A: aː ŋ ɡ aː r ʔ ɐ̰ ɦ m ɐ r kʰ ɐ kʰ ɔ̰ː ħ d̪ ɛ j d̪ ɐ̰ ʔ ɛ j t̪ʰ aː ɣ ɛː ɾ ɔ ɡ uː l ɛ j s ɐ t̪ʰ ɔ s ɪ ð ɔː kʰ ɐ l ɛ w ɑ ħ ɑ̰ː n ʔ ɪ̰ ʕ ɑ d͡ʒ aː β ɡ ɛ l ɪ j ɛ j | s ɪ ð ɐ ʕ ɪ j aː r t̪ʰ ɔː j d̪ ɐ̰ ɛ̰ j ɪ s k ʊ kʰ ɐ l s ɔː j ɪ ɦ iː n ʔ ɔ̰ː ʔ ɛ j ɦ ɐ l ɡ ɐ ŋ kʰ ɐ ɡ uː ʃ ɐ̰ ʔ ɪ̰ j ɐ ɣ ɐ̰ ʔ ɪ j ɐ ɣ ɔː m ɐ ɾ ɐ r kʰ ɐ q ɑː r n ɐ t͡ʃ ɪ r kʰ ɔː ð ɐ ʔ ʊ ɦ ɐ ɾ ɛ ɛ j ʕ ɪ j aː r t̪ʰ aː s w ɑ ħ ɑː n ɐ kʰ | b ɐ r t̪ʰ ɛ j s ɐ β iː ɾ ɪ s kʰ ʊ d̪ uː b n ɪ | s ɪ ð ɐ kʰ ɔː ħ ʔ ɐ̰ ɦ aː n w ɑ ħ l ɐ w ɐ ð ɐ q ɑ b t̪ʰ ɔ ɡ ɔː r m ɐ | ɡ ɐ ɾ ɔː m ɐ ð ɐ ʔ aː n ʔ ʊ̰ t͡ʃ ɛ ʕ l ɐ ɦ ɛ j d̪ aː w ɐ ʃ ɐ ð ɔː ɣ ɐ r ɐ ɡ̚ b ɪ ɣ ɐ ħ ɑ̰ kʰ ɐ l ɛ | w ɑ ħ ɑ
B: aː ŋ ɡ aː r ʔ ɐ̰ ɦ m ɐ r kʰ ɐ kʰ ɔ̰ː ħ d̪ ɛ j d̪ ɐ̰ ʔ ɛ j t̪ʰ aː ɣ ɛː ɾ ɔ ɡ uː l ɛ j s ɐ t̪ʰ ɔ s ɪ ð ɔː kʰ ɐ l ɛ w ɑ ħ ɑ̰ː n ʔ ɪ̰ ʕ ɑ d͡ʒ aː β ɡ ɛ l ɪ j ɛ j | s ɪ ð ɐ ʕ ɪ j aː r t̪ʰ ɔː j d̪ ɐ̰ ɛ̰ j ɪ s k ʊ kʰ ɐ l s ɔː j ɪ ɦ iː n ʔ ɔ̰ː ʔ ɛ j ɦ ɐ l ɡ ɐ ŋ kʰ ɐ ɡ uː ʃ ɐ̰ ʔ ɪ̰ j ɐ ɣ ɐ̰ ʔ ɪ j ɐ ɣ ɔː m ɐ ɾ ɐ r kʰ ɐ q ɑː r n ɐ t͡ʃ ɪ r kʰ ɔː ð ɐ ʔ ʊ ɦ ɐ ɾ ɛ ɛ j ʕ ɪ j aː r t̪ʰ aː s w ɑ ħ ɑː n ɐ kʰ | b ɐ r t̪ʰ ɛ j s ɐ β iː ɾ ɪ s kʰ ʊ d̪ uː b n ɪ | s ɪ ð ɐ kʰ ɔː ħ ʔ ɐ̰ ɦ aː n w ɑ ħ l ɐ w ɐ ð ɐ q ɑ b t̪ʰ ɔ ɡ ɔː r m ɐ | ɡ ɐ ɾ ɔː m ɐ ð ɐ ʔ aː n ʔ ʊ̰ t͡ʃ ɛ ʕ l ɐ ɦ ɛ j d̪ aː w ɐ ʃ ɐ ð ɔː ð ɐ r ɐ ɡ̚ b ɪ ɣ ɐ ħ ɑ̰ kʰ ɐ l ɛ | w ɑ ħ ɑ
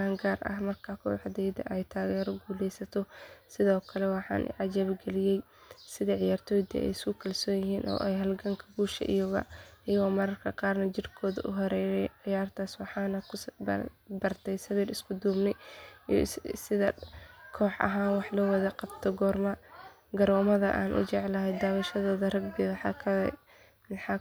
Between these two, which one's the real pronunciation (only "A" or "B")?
B